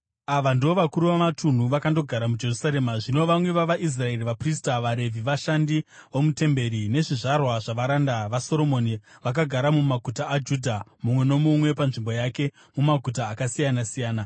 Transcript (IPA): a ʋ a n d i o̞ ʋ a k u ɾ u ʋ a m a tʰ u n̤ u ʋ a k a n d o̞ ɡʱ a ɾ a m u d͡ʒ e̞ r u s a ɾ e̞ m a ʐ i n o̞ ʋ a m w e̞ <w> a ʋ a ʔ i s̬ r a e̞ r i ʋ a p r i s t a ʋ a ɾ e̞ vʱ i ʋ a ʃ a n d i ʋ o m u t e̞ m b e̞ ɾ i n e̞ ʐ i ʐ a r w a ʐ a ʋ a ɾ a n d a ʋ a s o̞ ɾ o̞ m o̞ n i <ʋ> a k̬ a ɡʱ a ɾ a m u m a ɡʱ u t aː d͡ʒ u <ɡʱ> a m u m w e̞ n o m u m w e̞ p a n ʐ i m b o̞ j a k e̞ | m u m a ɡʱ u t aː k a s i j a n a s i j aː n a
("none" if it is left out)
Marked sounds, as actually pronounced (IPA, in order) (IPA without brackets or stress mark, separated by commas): ʋ, ʋ, dʱ